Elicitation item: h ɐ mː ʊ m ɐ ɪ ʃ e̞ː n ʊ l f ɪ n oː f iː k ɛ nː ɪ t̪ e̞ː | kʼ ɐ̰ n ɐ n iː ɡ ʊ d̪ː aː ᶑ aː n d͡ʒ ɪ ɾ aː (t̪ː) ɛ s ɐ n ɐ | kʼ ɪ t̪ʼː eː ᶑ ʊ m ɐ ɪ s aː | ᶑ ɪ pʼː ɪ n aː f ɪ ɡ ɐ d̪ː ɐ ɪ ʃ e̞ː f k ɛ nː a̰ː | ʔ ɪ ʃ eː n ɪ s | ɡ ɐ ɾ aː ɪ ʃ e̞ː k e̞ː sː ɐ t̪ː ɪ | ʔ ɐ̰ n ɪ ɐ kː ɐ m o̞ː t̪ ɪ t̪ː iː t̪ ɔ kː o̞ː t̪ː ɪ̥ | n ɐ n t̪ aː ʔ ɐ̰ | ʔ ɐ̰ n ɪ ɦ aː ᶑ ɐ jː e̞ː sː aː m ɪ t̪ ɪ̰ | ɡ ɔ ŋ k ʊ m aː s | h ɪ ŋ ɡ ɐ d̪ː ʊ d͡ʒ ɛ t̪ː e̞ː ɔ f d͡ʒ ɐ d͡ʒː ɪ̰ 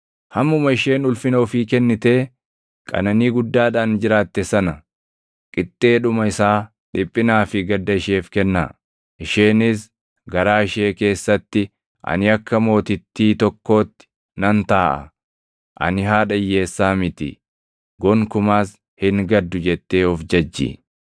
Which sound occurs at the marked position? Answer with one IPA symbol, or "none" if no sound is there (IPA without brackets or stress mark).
t̪ː